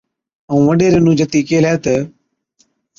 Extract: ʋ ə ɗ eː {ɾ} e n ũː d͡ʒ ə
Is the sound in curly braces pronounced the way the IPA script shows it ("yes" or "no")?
yes